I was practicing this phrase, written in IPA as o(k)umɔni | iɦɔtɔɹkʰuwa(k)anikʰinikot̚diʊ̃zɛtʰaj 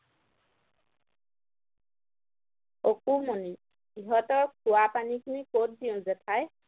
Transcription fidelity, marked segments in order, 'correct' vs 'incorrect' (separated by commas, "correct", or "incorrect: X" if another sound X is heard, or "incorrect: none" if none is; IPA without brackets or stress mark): correct, incorrect: p